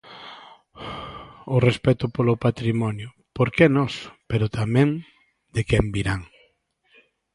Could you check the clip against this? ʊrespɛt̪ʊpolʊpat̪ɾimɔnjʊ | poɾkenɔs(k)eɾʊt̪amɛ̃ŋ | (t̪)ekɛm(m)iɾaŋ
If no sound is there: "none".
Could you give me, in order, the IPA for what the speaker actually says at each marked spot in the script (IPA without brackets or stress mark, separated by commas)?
p, d̪, b